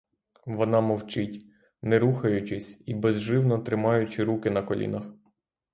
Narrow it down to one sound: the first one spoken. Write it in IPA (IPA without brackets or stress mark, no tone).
ʋ